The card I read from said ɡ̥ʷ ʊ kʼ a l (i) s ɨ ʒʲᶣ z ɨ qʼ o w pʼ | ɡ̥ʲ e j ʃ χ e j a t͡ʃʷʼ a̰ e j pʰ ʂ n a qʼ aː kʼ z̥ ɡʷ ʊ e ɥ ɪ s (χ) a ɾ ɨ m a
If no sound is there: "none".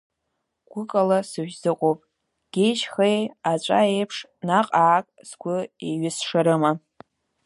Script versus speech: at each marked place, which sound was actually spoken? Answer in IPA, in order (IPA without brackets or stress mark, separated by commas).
a, ʂ